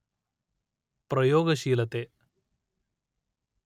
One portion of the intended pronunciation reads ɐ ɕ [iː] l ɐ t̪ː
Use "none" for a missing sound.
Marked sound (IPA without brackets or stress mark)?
iː